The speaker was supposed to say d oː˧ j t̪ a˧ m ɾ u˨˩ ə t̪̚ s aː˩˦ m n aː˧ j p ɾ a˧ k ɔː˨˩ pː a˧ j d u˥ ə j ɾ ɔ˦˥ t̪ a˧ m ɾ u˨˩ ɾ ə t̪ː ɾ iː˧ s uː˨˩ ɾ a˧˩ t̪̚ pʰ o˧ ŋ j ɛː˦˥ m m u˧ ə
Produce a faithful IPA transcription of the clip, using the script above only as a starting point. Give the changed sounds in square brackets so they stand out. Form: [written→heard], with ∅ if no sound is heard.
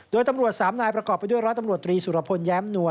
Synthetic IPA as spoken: d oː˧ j t̪ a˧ m ɾ u˨˩ ə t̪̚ s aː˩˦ m n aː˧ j p ɾ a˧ k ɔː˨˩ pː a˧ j d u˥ ə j ɾ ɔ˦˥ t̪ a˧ m ɾ u˨˩ [ɾ→∅] ə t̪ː ɾ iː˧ s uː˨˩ ɾ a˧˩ [t̪̚→∅] pʰ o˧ [ŋ→n] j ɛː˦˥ m [m→n] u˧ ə